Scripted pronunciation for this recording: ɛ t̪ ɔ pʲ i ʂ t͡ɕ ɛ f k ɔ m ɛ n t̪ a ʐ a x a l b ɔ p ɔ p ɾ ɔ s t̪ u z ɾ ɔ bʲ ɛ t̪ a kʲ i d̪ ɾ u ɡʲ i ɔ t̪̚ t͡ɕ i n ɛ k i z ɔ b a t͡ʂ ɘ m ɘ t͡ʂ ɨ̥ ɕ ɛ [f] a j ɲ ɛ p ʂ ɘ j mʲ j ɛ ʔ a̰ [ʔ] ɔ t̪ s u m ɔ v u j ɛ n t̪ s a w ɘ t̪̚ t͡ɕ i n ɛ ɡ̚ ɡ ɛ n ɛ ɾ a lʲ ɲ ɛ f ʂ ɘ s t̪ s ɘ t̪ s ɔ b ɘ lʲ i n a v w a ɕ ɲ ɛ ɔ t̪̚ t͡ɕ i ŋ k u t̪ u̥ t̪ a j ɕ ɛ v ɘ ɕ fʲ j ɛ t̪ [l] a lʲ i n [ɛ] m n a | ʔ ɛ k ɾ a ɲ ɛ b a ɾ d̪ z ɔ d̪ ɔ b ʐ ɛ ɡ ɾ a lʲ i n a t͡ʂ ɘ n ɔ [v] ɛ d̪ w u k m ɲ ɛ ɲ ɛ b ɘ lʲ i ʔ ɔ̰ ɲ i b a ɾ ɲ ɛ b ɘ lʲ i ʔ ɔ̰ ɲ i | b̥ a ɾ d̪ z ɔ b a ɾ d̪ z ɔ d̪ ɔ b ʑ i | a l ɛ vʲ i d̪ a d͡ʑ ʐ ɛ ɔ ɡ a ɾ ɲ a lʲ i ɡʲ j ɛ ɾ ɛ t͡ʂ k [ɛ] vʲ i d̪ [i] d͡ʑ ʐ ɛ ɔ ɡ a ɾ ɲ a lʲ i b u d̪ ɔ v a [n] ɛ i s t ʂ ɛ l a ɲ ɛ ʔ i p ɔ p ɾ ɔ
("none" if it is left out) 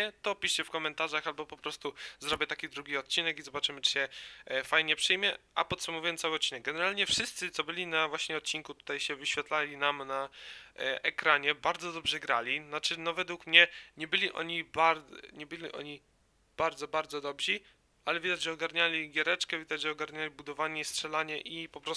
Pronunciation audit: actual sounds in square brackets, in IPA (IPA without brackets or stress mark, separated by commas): f, p, l, a, v, ɛ, a, ɲ